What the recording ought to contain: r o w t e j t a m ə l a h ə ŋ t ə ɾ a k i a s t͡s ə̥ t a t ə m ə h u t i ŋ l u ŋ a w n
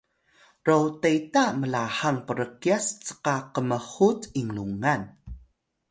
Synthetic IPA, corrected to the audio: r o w t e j t a m ə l a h a ŋ p ə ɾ ə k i a s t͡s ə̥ q a q ə m ə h u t i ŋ l u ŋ a n